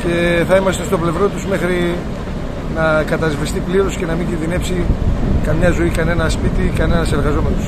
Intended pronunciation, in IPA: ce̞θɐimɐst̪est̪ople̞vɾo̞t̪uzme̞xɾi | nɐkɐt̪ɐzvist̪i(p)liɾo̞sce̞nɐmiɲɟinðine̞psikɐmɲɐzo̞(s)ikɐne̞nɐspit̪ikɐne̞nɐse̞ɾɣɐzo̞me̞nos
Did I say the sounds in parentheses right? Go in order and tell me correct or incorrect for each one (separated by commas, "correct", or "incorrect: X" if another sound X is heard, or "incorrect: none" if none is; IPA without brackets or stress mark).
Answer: correct, incorrect: none